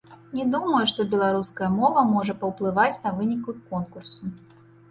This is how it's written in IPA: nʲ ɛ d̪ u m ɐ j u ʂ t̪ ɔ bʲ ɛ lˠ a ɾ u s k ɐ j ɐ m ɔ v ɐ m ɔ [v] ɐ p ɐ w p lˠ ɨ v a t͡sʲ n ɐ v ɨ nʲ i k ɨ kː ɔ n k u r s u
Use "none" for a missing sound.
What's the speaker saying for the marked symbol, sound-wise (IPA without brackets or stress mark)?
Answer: ʐ